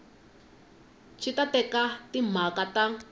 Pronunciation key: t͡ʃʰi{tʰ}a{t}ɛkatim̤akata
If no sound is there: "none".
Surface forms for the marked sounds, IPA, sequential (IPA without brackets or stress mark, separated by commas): t, t